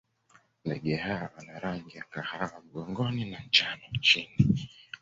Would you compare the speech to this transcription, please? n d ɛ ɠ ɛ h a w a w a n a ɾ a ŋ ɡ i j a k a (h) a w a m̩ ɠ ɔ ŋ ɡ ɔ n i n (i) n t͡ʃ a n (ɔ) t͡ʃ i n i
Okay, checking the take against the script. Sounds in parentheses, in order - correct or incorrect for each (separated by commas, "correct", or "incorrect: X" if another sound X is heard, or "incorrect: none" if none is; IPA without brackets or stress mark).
correct, incorrect: a, correct